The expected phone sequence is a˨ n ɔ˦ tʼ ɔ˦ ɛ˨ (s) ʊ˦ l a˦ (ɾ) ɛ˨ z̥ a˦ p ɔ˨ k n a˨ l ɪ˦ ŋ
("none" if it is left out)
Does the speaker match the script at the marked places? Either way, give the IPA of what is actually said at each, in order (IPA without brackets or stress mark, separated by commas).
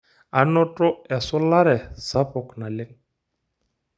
s, ɾ